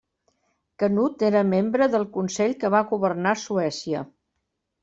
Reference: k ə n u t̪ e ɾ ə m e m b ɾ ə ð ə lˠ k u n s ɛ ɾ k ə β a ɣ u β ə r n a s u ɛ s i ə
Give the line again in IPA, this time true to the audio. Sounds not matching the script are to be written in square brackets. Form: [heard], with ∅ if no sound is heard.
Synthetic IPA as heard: k ə n u t̪ e ɾ ə m e m b ɾ ə ð ə lˠ k u n s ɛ [ʎ] k ə β a ɣ u β ə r n a s u ɛ s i ə